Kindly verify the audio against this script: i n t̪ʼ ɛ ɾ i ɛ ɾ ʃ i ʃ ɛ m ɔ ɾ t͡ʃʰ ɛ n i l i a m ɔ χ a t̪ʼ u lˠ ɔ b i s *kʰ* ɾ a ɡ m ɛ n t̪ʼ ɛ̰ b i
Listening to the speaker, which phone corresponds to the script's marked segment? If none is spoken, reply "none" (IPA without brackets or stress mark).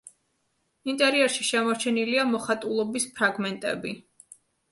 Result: pʰ